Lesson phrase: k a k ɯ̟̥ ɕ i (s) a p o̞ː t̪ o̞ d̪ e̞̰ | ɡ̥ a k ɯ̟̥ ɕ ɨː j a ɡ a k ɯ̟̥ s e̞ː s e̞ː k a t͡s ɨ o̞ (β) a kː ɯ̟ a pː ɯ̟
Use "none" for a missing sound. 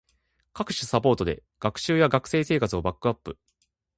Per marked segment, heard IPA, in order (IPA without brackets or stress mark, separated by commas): s, b